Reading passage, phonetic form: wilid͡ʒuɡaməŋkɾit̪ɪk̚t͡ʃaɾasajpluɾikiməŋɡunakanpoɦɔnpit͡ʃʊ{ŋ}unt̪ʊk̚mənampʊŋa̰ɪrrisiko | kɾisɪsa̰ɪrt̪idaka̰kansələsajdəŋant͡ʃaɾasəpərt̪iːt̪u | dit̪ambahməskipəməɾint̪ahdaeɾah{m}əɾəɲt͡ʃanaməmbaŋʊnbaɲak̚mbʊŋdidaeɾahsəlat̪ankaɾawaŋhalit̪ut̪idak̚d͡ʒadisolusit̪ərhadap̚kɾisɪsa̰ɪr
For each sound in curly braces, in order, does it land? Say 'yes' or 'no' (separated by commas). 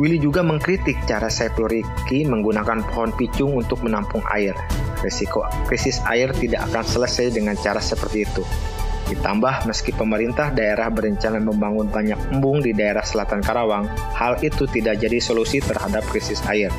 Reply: yes, no